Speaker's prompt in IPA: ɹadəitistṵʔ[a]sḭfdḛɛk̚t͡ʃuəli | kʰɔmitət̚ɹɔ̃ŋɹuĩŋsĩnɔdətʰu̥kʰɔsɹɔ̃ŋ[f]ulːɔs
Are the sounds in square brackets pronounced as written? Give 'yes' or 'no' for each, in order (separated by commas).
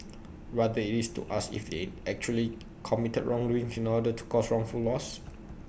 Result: yes, yes